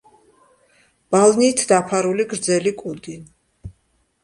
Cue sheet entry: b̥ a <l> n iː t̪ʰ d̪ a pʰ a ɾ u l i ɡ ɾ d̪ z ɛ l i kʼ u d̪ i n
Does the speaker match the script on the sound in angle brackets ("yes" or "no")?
yes